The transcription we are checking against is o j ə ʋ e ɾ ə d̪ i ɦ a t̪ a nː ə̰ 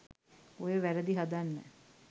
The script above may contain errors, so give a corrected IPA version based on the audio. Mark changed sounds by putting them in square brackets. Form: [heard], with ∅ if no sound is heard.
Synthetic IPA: o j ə ʋ [æ] ɾ ə d̪ i ɦ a [d̪] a nː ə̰

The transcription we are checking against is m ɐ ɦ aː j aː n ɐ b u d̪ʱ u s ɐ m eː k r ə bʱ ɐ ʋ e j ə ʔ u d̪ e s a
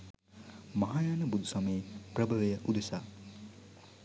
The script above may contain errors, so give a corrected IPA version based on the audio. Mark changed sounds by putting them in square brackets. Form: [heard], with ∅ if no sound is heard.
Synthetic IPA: m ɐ ɦ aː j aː n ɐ b u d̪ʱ u s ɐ m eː [p] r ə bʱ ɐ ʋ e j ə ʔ u d̪ e s a

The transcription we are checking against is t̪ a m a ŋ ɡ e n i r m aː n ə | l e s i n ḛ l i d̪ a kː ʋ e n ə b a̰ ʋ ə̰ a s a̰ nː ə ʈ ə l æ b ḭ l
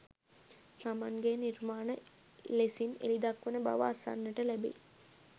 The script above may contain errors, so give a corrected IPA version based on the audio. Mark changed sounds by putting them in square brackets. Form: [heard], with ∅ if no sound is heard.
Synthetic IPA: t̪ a m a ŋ ɡ e n i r m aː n ə | l e s i n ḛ l i d̪ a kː ʋ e n ə b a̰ ʋ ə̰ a s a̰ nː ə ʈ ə l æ b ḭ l

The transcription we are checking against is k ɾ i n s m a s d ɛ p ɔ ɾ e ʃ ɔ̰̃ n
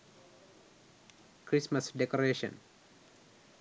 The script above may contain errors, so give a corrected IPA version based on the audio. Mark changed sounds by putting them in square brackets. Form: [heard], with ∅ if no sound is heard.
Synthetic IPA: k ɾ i [∅] s m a s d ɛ [k] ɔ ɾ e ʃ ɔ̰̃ n

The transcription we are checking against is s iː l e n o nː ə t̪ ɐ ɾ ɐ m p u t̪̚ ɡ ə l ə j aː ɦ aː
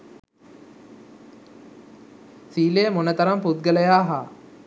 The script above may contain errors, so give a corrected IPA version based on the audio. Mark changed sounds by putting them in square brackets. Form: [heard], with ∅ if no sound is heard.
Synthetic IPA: s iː l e [m] o [n] ə t̪ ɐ ɾ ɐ m p u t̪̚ ɡ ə l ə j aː ɦ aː

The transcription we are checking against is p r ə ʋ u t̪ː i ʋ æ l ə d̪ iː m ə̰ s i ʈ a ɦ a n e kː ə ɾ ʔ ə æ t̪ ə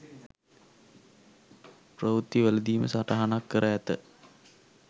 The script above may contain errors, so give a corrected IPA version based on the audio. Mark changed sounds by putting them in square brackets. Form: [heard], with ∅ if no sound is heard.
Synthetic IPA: p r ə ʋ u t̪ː i ʋ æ l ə d̪ iː m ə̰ s [a] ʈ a ɦ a n [a] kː ə ɾ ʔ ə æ t̪ ə

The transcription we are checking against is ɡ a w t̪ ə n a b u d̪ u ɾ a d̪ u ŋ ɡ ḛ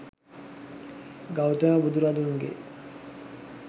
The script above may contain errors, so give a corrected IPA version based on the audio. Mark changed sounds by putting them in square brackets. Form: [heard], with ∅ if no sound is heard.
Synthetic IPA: ɡ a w t̪ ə n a b u d̪ u ɾ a d̪ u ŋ ɡ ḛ

